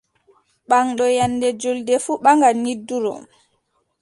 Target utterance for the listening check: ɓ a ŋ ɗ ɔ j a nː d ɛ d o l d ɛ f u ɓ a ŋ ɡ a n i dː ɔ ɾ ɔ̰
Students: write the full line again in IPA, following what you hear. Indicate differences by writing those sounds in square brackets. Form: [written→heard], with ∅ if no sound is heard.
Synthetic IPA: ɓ a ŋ ɗ ɔ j a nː d ɛ [d→d͡ʒ] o l d ɛ f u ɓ a ŋ ɡ a n i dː [ɔ→u] ɾ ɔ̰

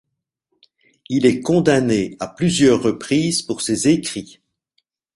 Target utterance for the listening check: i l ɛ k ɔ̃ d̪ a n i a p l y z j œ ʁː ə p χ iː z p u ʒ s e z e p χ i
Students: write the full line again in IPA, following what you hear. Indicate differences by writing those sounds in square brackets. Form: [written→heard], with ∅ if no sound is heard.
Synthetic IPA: i l ɛ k ɔ̃ d̪ a n [i→e] a p l y z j œ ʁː ə p χ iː z p u [ʒ→ʁ] s e z e [p→k] χ i

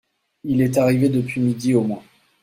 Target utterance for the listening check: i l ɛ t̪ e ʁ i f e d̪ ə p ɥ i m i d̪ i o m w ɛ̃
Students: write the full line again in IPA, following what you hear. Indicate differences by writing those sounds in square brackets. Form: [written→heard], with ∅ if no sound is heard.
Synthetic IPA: i l ɛ t̪ [e→a] ʁ i [f→v] e d̪ ə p ɥ i m i d̪ i o m w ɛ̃

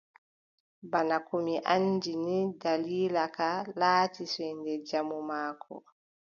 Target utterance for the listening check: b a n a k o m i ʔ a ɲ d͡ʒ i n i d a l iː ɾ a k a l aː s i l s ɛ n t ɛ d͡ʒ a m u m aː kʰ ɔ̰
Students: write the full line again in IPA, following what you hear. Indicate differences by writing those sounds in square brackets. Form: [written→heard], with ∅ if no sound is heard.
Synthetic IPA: b a n a k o m i ʔ a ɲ d͡ʒ i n i d a l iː [ɾ→l] a k a l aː [s→t] i [l→∅] s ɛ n [t→d] ɛ d͡ʒ a m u m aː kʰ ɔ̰

